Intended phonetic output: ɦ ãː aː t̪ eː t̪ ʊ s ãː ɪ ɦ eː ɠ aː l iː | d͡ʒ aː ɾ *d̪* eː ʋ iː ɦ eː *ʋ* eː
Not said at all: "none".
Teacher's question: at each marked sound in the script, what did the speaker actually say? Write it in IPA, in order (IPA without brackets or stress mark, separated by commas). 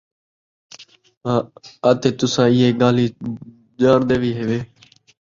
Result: d̪, ʋ